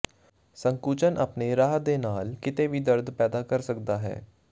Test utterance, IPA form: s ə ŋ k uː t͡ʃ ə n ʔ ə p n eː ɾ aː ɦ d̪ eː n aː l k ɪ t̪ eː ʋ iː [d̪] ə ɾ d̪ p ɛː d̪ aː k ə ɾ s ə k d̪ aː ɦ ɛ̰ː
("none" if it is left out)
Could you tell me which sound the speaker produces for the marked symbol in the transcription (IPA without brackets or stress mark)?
d̪